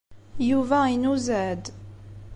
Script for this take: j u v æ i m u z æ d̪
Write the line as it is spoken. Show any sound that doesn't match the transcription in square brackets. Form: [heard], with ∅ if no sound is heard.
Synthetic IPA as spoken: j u v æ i [n] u z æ d̪